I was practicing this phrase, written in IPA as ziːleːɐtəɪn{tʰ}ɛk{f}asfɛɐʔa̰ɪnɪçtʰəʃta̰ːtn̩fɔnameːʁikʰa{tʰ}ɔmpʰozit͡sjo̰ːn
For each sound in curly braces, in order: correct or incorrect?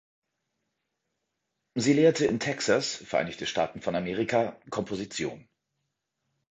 correct, incorrect: s, incorrect: kʰ

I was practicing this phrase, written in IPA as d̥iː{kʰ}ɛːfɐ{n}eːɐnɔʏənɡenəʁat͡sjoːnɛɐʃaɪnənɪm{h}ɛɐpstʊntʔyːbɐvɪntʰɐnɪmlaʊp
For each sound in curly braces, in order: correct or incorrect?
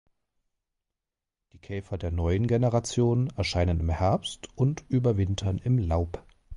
correct, incorrect: d, correct

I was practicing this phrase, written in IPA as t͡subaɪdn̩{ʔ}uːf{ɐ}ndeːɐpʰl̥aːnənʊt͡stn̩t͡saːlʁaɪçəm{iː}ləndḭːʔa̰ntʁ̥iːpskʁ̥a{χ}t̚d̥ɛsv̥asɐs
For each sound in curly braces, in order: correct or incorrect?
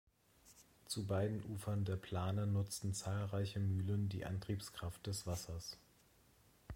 correct, correct, incorrect: yː, incorrect: f

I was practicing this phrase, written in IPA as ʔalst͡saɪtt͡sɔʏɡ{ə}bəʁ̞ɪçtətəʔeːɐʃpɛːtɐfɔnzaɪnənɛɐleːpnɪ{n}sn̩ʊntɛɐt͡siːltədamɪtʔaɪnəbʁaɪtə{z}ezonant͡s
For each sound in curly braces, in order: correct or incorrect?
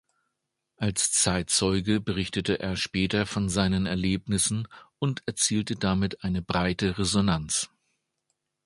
correct, incorrect: none, incorrect: ʁ

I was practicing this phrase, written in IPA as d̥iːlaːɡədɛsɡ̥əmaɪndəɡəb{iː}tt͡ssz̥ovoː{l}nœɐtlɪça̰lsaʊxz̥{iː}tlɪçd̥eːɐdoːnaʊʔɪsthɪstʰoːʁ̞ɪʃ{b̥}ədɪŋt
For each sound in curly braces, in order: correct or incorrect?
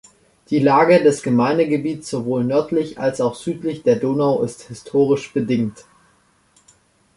correct, correct, incorrect: yː, correct

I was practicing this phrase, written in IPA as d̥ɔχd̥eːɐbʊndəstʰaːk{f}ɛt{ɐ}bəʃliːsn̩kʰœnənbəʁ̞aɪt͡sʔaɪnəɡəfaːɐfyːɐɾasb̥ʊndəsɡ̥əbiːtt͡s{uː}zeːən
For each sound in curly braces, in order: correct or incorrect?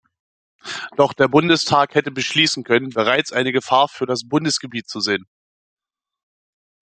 incorrect: h, incorrect: ə, incorrect: u

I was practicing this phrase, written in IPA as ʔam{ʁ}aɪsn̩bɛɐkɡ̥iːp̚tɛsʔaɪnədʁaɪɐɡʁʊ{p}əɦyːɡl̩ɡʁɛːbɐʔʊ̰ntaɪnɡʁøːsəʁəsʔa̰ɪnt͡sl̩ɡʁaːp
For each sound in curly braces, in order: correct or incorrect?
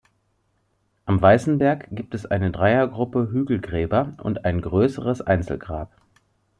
incorrect: v, correct

